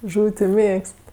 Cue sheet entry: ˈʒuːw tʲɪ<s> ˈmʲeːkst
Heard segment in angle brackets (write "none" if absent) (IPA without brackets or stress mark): none